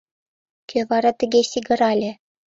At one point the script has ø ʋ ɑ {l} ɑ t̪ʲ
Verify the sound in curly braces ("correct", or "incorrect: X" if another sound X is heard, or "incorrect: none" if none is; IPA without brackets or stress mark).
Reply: incorrect: ɾ